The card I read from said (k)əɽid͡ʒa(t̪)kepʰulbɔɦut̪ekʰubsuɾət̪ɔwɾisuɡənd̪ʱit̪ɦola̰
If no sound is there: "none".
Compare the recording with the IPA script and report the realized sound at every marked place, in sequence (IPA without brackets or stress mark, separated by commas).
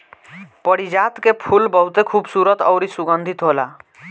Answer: p, t̪